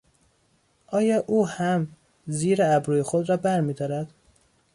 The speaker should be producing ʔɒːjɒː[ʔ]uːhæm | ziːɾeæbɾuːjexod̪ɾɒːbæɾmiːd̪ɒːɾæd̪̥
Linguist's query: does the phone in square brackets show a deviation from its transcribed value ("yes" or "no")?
no